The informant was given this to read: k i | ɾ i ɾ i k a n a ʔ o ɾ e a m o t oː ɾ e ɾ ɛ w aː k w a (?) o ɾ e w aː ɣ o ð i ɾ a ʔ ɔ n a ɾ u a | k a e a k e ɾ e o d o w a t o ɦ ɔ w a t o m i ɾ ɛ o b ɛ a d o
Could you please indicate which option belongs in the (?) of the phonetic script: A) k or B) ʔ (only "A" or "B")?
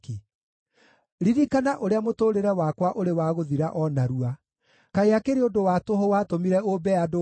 B